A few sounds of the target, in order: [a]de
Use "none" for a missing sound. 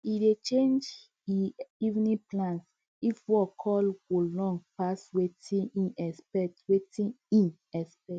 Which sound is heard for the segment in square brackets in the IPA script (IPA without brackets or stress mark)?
i